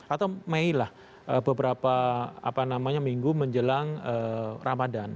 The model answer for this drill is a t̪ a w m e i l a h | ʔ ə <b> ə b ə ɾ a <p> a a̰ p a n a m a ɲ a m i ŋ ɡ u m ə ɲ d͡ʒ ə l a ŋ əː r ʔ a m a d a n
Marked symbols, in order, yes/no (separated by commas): yes, yes